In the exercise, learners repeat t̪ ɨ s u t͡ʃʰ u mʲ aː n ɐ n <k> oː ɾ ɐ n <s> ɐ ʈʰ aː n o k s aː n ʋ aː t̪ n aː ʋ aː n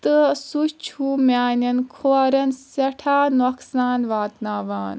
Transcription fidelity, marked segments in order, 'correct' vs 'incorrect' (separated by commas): incorrect, correct